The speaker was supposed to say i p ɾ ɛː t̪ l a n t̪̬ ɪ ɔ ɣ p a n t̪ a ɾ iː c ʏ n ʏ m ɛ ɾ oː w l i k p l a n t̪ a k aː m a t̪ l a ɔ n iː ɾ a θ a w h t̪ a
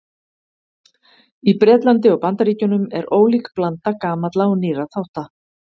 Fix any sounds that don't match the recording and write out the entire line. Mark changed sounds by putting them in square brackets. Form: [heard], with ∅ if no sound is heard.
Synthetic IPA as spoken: i p ɾ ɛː t̪ l a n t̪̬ ɪ ɔ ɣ p a n t̪ a ɾ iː c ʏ n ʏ m ɛ ɾ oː w l i k p l a n t̪ a k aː m a t̪ l a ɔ n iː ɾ a θ a w h t̪ a